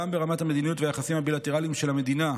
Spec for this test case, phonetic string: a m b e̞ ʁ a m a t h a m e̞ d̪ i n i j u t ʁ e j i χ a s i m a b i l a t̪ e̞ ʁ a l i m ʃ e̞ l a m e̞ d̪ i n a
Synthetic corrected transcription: a m b e̞ ʁ a m a t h a m e̞ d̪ i n i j u t v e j a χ a s i m a b i l a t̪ e̞ ʁ a l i m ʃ e̞ l a m e̞ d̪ i n a